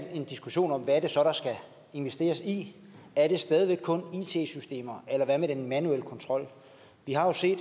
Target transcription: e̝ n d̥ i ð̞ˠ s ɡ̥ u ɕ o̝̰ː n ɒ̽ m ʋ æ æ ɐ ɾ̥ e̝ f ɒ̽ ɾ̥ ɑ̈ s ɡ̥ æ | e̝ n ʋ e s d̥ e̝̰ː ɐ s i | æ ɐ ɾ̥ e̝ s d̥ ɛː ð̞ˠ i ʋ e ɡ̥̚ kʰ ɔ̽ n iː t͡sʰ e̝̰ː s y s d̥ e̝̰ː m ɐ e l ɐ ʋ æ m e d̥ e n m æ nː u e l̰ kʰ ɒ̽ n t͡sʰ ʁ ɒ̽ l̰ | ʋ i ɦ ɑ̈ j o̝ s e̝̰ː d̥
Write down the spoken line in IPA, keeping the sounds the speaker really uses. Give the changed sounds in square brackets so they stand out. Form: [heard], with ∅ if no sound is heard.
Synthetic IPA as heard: e̝ n d̥ i [∅] s ɡ̥ u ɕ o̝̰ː n ɒ̽ m ʋ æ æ ɐ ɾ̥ e̝ [s] ɒ̽ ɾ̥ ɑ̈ s ɡ̥ æ | e̝ n ʋ e s d̥ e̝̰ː ɐ s i | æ ɐ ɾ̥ e̝ s d̥ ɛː ð̞ˠ i ʋ e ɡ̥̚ kʰ ɔ̽ n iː t͡sʰ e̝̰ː s y s d̥ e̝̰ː m ɐ e l ɐ ʋ æ m e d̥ e n m æ [n] u e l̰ kʰ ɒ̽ n t͡sʰ ʁ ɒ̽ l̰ | ʋ i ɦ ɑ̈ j o̝ s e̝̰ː d̥